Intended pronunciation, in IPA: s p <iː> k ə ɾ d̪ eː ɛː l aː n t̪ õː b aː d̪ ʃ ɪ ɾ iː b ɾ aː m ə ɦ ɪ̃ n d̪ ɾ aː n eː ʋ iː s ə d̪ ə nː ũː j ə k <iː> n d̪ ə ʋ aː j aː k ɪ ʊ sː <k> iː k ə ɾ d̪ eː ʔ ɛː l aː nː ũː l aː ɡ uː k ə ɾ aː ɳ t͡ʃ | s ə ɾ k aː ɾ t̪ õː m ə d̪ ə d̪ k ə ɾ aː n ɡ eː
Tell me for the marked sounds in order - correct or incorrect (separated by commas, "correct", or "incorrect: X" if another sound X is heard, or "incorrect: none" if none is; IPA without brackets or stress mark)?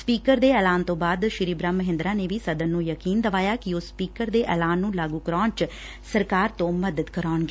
correct, correct, incorrect: p